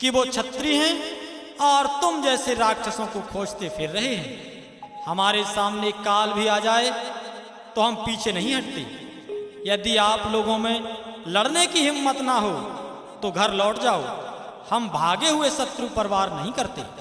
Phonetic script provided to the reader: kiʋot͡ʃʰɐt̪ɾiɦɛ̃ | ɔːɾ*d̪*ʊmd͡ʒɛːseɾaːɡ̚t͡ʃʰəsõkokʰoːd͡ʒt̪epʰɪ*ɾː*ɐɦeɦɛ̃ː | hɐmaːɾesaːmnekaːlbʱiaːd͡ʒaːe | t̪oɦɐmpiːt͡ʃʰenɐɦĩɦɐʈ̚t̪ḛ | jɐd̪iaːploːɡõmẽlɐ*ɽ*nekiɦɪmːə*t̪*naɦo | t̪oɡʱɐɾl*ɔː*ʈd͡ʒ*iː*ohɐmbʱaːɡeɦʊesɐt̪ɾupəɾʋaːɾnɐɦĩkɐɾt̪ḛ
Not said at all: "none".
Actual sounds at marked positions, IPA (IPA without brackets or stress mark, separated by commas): t̪, ɾː, ɽ, t̪, ɔː, aː